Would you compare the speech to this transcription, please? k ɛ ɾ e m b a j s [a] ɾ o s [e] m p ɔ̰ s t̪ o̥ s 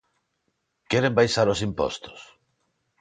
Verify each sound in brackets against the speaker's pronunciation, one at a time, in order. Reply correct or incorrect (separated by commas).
correct, incorrect